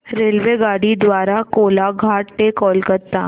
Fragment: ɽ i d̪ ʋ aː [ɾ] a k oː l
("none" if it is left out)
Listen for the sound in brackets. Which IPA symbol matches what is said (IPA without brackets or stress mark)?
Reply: ɾ